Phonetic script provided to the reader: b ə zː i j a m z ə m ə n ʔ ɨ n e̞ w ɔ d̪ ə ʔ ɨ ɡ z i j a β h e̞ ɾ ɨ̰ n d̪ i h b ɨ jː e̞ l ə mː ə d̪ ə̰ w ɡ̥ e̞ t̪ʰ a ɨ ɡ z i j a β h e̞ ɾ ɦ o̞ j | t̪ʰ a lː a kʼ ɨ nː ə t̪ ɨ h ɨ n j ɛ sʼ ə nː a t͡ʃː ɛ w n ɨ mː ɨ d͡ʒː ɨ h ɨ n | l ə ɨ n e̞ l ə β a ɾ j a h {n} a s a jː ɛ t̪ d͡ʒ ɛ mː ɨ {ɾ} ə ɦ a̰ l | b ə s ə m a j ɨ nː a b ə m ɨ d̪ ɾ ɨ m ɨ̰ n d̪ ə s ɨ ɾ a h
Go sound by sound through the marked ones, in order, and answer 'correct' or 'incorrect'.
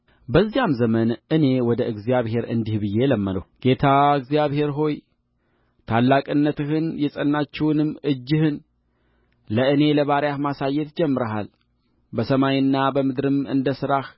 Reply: incorrect: m, correct

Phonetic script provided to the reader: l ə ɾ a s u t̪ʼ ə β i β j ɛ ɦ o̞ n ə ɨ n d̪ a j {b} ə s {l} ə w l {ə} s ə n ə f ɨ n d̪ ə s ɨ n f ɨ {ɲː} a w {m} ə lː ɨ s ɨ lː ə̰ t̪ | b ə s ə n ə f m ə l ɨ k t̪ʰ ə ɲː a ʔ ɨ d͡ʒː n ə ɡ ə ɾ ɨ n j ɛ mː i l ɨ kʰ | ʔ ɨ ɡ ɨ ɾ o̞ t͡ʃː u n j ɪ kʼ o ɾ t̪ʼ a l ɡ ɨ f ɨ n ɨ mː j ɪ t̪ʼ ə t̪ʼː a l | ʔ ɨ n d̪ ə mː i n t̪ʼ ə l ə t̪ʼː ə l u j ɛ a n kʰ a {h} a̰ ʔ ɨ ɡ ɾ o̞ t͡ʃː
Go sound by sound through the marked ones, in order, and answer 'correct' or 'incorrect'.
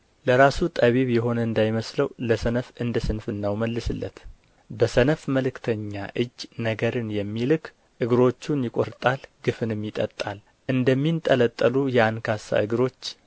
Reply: incorrect: m, correct, correct, incorrect: nː, correct, incorrect: s

